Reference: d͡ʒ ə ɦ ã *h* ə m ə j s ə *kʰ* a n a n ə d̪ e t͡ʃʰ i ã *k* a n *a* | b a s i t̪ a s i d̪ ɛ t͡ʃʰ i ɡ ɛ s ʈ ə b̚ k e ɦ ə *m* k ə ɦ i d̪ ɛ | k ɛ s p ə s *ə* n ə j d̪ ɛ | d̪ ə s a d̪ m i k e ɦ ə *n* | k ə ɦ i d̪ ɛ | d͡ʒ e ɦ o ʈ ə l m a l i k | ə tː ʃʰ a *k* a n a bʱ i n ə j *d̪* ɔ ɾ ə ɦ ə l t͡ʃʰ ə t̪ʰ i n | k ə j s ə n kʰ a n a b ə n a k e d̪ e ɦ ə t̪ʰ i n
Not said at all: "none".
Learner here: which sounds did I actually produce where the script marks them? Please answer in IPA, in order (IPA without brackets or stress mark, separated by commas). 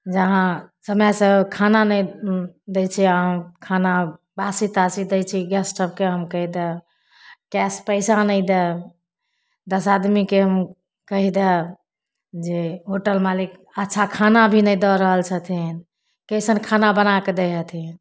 s, kʰ, kʰ, a, m, a, m, kʰ, d̪